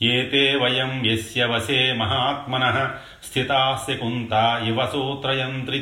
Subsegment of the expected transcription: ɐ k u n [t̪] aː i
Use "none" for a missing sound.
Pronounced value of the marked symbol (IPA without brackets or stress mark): t̪